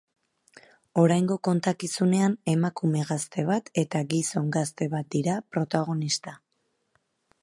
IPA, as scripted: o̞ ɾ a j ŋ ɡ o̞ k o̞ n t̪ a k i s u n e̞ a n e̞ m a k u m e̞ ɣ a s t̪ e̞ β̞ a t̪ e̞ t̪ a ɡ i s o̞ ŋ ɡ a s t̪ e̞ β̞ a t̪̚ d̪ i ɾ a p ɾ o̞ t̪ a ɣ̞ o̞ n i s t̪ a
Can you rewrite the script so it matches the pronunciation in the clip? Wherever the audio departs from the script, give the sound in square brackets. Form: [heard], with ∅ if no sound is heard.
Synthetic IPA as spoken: o̞ ɾ a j ŋ ɡ o̞ k o̞ n t̪ a k i s u n e̞ a n e̞ m a k u m e̞ ɣ a s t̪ e̞ β̞ a t̪ e̞ t̪ a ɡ i s o̞ ŋ ɡ a s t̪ e̞ β̞ a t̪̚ d̪ i ɾ a p ɾ o̞ t̪ a ɣ̞ o̞ n i s t̪ a